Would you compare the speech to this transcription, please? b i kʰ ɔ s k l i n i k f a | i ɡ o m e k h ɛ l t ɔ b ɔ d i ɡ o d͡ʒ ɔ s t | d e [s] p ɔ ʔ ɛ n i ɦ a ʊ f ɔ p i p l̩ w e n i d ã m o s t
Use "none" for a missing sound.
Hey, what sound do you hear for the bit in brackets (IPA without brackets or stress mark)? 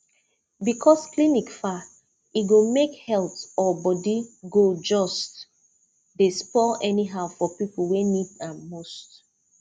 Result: s